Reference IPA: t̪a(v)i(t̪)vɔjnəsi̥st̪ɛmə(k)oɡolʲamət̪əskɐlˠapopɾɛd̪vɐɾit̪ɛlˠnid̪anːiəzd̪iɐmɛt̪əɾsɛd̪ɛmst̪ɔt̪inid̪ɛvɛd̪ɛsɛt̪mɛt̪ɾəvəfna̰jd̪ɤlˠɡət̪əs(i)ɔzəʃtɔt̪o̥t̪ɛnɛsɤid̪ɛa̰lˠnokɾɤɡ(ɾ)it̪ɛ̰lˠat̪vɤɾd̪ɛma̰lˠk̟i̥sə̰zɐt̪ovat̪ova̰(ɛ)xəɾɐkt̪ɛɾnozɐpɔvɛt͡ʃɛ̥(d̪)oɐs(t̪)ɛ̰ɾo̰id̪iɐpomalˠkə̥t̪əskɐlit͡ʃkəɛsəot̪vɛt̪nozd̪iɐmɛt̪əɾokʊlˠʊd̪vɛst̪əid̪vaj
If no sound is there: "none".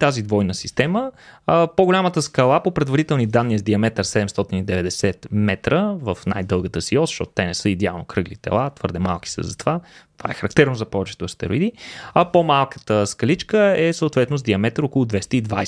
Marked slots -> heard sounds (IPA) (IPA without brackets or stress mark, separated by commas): z, d̪, p, i, l, ɛ, t̪, t̪